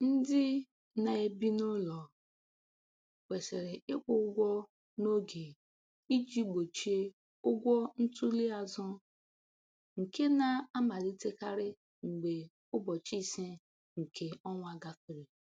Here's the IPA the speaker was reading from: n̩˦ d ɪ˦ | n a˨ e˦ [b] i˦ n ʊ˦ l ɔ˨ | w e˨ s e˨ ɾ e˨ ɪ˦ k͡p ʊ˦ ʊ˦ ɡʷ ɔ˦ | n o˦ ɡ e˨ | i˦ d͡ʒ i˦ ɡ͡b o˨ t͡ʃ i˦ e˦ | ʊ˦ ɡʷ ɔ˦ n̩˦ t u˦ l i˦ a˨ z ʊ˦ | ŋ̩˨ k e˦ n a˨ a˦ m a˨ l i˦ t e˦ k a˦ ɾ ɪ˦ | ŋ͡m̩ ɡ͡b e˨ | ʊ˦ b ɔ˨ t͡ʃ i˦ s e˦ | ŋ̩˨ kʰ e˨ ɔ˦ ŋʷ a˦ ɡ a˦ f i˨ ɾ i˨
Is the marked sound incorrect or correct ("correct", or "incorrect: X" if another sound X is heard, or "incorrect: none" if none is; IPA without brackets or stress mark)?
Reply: correct